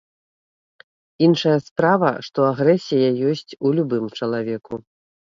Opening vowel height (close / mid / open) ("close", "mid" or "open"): close